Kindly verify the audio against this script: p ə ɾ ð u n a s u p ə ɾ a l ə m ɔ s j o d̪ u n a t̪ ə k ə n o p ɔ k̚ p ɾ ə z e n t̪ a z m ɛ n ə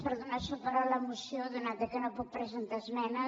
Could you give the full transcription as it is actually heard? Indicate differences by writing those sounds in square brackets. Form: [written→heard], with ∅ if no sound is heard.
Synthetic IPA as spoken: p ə ɾ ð u n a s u p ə ɾ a l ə m [ɔ→u] s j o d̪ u n a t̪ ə k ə n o p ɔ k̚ p ɾ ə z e n t̪ a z m ɛ n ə

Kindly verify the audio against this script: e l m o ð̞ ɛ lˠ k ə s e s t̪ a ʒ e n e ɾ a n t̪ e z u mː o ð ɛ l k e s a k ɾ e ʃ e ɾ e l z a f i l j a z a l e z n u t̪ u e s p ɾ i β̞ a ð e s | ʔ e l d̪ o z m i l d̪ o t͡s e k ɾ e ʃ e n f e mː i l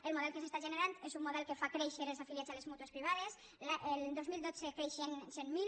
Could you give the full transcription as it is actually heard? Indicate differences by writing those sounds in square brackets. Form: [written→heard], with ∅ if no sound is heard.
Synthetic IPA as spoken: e l m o ð̞ ɛ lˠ k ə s e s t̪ a ʒ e n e ɾ a n t̪ e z u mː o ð ɛ l k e [s→f] a k ɾ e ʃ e ɾ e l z a f i l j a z a l e z [n→m] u t̪ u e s p ɾ i β̞ a ð e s | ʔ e l d̪ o z m i l d̪ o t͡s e k ɾ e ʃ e n [f→s] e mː i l

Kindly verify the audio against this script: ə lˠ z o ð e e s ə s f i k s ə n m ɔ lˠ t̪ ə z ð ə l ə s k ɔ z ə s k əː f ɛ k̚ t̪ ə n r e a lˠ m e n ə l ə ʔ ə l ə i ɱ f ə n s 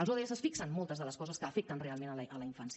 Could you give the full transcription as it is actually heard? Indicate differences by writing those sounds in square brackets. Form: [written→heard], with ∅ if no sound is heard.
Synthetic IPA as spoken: ə lˠ z o ð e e s ə s f i k s ə n m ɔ lˠ t̪ ə z ð ə l ə s k ɔ z ə s k əː f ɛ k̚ t̪ ə n r e a lˠ m e n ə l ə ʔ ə l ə i ɱ f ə n s

